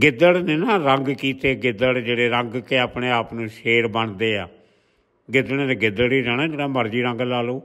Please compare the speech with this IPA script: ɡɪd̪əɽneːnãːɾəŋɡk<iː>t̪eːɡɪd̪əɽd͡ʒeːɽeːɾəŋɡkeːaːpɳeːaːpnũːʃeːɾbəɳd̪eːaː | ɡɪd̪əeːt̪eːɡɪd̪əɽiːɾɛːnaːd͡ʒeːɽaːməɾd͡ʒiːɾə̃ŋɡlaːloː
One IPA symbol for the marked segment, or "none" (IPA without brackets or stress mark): iː